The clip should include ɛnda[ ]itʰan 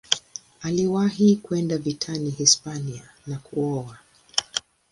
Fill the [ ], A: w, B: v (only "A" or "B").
B